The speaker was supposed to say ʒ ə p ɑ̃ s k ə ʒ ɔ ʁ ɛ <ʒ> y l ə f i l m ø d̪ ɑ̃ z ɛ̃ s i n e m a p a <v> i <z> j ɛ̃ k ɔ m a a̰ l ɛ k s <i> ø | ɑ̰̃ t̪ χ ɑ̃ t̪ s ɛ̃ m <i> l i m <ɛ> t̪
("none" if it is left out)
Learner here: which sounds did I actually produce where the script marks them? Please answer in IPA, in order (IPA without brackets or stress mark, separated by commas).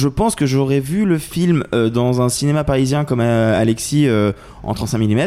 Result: v, ʁ, z, i, i, ɛ